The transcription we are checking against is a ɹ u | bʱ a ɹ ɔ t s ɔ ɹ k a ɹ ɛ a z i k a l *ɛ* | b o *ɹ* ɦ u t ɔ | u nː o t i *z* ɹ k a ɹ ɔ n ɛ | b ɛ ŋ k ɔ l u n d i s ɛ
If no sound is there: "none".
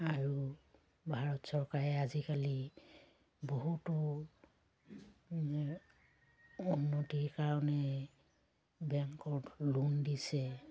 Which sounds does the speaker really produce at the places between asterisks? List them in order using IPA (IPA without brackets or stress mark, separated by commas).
i, none, none